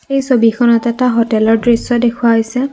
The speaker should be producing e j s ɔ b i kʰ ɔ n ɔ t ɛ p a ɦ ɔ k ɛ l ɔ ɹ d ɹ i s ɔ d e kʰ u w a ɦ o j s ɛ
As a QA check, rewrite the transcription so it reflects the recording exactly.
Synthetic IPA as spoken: e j s o b i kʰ ɔ n ɔ t ɛ t a ɦ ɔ t ɛ l ɔ ɹ d ɹ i s ɔ d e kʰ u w a ɦ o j s ɛ